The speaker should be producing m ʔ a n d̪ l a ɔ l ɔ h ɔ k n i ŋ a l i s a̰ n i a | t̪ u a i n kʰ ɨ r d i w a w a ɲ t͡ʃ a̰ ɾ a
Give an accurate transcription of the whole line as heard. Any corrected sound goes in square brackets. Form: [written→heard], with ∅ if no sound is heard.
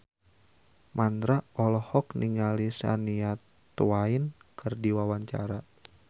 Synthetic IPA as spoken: m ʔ a n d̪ [l→ɾ] a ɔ l ɔ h ɔ k n i ŋ a l i s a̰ n i a | t̪ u a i n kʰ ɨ r d i w a w a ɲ t͡ʃ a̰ ɾ a